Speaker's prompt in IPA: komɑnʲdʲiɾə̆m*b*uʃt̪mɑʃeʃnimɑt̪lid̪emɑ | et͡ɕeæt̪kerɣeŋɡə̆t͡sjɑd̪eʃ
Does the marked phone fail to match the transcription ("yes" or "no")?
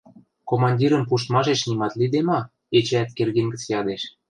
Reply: yes